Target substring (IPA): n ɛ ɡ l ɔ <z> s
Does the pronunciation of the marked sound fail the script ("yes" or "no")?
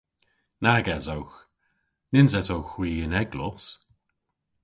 yes